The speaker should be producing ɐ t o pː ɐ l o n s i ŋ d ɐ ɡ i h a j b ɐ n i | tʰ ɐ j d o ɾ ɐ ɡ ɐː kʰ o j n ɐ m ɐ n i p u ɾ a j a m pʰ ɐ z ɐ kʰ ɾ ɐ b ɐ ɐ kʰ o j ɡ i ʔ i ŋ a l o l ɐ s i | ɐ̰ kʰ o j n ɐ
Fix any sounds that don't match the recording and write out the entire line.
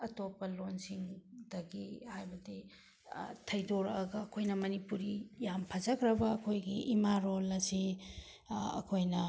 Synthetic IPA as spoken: ɐ t o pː ɐ l o n s i ŋ d ɐ ɡ i h a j b ɐ d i | tʰ ɐ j d o ɾ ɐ ɡ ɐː kʰ o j n ɐ m ɐ n i p u ɾ i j a m pʰ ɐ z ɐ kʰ ɾ ɐ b ɐ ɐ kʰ o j ɡ i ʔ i m a ɾ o l ɐ s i | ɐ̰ kʰ o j n ɐ